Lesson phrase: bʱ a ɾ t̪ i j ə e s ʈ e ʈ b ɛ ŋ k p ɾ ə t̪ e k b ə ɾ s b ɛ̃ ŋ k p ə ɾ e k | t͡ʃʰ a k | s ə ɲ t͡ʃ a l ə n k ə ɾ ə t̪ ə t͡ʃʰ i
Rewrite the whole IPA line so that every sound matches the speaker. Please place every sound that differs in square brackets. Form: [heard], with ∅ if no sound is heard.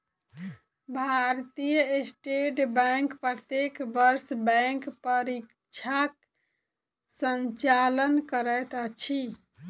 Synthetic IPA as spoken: bʱ a ɾ t̪ i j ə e s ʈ e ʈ b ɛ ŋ k p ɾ ə t̪ e k b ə ɾ s b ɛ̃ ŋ k p ə ɾ [i] k | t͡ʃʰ a k | s ə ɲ t͡ʃ a l ə n k ə ɾ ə t̪ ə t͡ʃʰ i